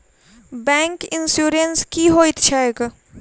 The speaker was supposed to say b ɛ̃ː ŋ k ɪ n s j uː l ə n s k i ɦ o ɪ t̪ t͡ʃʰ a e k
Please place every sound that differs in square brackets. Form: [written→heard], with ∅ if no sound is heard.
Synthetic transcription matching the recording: b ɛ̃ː ŋ k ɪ n s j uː [l→ɾ] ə n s k i ɦ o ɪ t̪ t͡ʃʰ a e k